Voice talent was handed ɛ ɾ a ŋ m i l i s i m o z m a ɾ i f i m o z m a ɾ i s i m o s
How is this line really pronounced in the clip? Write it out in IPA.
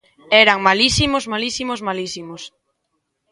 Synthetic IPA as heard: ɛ ɾ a ŋ m a l i s i m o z m a l i s i m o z m a l i s i m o s